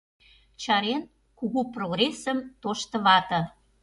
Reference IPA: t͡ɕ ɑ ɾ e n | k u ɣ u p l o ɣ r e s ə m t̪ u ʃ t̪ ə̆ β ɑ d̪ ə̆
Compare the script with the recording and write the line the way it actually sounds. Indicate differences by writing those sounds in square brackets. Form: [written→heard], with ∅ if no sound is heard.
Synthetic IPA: t͡ɕ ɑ ɾ e n | k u ɣ u p [l→r] o ɣ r e s ə m t̪ [u→o] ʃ t̪ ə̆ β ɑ [d̪→t̪] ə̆

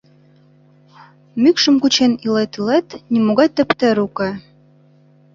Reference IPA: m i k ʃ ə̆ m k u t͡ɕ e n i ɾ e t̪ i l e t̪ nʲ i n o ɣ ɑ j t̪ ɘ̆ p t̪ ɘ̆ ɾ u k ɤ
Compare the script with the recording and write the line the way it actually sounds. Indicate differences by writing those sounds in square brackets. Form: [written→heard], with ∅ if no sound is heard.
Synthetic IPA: m [i→y] k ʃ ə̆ m k u t͡ɕ e n i [ɾ→l] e t̪ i l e t̪ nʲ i [n→m] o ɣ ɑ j t̪ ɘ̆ p t̪ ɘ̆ ɾ u k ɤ

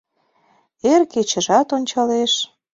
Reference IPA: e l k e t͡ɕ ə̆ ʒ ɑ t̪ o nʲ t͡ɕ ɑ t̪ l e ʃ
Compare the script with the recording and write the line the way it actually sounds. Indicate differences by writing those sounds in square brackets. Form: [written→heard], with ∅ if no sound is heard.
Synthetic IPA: e [l→r] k e t͡ɕ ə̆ ʒ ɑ t̪ o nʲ t͡ɕ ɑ [t̪→∅] l e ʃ

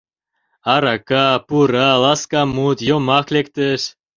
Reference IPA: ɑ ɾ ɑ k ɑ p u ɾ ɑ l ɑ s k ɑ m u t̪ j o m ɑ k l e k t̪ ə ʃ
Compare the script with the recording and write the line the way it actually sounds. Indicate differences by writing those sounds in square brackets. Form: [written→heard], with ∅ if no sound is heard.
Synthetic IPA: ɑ ɾ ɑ k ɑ p u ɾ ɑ l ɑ s k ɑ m u t̪ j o m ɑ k l e k t̪ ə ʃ

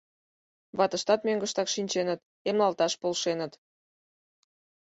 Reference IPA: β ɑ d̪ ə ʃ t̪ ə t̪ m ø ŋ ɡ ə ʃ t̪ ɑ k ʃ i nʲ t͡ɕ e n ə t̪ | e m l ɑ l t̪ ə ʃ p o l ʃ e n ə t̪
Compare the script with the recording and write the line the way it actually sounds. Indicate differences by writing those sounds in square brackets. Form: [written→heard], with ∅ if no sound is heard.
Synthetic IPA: β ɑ [d̪→t̪] ə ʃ t̪ [ə→ɑ] t̪ m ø ŋ ɡ ə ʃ t̪ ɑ k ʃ i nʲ t͡ɕ e n ə t̪ | e m l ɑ l t̪ [ə→ɑ] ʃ p o l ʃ e n ə t̪

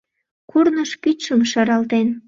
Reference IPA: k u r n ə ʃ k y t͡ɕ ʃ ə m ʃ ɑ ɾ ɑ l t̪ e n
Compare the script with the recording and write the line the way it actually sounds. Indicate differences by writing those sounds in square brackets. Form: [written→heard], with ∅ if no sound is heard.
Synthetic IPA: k u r n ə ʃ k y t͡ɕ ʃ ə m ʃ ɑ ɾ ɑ l t̪ e n

